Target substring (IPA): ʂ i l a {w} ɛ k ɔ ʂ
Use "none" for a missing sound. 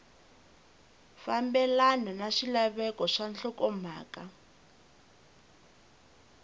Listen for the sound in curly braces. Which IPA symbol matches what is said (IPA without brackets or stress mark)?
β